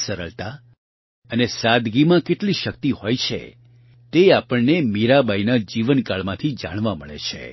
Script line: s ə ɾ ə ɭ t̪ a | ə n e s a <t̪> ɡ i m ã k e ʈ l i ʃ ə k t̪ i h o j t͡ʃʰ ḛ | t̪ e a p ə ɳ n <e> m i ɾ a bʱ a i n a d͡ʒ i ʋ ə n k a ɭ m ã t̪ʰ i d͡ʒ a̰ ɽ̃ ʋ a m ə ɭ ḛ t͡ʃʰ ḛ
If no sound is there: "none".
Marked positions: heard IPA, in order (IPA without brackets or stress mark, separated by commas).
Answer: d̪, e